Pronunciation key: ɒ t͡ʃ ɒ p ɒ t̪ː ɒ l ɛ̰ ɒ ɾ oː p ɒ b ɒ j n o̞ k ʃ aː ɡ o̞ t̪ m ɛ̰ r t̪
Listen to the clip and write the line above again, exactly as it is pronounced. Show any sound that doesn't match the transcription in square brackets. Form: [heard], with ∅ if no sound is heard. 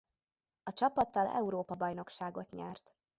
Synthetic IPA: ɒ t͡ʃ ɒ p ɒ t̪ː ɒ l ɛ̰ [u] ɾ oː p ɒ b ɒ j n o̞ k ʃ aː ɡ o̞ t̪ [ɲ] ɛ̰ r t̪